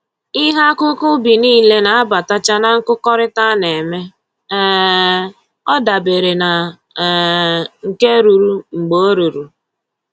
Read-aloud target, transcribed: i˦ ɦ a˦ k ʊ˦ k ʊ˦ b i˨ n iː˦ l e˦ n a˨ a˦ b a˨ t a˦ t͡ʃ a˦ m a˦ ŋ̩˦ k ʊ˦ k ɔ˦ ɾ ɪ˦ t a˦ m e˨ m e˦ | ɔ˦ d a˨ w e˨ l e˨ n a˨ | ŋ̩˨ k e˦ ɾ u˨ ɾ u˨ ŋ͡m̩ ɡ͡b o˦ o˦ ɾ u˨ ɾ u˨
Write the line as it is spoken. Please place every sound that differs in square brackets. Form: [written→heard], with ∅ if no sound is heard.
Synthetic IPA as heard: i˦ ɦ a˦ k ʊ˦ k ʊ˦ b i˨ n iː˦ l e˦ n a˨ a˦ b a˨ t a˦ t͡ʃ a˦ [m→n] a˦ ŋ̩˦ k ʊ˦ k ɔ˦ ɾ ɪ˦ t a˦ [m→n] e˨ m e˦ | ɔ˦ d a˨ [w→b] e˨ [l→ɾ] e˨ n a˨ | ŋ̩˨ k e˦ ɾ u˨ ɾ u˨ ŋ͡m̩ ɡ͡b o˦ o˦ ɾ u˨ ɾ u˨